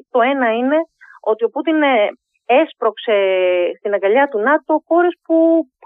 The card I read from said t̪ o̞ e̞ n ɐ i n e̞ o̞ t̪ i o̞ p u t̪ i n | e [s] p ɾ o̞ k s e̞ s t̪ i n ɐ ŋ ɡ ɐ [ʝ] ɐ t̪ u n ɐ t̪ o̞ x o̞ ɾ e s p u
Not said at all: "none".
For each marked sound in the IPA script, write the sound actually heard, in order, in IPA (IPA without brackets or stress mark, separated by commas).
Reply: s, ʎ